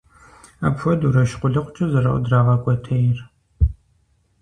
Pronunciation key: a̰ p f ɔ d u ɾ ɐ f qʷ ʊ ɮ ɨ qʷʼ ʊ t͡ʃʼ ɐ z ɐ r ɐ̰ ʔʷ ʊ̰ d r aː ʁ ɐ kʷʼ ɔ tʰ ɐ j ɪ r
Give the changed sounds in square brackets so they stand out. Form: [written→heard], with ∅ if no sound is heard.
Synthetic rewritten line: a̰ p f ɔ d u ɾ ɐ [f→ʃ] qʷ ʊ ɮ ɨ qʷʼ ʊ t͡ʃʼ ɐ z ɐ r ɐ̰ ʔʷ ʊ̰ d r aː ʁ ɐ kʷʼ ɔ tʰ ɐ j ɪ r